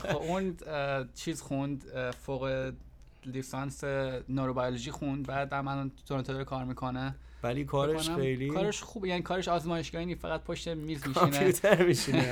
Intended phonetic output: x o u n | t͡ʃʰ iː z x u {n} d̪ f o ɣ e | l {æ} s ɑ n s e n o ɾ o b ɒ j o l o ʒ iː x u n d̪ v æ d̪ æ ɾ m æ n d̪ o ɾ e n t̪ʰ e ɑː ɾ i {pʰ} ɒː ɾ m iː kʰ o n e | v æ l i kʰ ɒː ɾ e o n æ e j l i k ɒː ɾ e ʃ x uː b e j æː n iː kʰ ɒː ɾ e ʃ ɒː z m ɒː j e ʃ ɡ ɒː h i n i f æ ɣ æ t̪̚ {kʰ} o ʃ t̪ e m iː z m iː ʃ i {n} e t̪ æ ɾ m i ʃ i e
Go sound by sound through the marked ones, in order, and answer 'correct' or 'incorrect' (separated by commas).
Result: correct, incorrect, incorrect, incorrect, correct